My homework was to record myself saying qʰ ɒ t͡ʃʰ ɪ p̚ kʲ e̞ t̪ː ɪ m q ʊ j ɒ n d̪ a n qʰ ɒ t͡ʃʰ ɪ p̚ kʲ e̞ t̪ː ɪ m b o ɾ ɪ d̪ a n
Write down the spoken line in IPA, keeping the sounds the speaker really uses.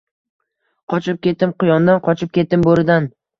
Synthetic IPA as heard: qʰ ɒ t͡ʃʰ ɪ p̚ kʲ e̞ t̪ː ɪ m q ʊ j ɒ n d̪ a n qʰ ɒ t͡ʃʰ ɪ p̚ kʲ e̞ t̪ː ɪ m b o ɾ ɪ d̪ a n